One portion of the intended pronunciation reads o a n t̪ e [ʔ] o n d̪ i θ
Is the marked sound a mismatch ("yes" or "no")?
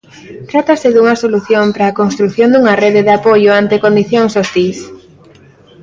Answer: yes